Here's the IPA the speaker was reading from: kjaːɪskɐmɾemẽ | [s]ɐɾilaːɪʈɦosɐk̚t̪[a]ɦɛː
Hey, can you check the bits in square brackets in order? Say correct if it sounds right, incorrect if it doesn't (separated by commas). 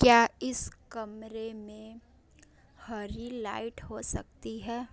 incorrect, incorrect